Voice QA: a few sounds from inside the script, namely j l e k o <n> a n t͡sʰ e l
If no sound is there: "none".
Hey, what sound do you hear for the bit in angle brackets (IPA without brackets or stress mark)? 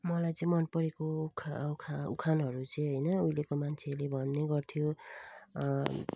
m